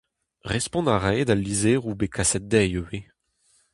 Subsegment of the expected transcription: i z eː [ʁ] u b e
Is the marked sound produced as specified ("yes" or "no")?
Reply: yes